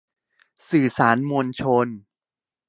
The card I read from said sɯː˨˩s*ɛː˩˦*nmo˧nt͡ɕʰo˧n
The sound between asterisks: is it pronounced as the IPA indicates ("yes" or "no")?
no